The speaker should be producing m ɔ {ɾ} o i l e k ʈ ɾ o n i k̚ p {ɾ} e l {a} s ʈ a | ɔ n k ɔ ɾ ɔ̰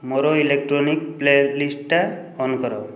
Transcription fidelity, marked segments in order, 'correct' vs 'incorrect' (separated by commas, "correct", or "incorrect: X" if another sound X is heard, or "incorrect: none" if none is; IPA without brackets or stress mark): correct, incorrect: l, incorrect: i